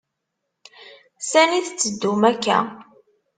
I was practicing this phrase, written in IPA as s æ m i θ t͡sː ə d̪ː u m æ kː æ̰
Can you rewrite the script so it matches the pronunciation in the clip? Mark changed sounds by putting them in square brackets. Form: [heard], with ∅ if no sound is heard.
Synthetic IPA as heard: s æ [n] i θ t͡sː ə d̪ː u m æ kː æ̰